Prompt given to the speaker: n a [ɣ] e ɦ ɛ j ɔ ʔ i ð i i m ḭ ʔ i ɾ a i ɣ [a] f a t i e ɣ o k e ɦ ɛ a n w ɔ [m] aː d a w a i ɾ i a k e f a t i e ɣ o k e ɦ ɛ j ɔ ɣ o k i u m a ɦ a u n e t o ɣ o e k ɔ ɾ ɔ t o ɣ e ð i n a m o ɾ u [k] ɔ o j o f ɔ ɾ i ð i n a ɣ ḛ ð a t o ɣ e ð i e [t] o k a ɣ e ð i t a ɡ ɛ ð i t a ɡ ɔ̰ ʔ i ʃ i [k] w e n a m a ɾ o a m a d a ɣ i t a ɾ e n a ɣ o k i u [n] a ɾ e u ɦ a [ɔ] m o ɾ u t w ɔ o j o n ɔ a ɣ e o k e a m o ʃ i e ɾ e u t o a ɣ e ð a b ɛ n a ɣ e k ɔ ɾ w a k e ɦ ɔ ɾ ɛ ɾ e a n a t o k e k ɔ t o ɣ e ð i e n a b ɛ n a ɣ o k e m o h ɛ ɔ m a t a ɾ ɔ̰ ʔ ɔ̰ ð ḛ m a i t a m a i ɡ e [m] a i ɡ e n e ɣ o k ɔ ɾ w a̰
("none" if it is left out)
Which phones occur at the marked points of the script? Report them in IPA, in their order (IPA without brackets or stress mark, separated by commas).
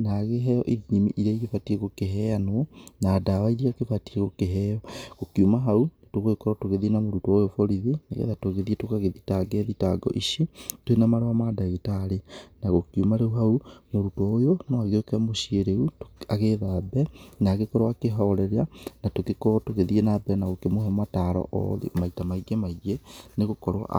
ɣ, e, n, t, t, t, m, u, m